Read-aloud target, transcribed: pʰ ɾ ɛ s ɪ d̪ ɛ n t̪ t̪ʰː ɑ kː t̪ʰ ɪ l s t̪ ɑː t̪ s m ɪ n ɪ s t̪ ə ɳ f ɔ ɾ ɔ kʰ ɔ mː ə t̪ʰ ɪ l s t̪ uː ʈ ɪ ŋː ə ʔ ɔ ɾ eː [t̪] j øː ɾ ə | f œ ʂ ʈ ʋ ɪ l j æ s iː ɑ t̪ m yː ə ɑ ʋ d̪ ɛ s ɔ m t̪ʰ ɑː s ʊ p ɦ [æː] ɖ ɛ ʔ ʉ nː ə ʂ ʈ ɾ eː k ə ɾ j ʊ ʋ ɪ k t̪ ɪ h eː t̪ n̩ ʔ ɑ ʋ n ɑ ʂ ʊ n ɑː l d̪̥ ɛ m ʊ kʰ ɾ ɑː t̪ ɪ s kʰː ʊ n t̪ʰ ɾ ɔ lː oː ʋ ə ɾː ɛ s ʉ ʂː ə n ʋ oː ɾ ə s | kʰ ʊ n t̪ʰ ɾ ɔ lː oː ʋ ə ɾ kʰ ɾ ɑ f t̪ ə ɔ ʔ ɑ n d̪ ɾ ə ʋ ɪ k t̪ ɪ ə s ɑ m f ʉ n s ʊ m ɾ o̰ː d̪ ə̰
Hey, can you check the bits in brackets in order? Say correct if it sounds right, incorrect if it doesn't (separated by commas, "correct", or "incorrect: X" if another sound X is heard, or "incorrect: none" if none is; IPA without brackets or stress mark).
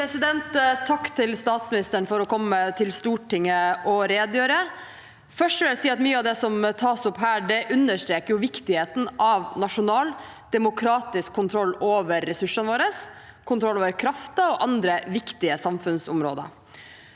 incorrect: d̪, correct